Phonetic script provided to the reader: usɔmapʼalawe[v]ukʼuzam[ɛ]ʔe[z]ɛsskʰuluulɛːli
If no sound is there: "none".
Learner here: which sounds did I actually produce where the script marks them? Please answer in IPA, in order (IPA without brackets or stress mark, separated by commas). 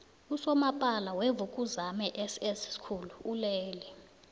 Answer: v, ɛ, s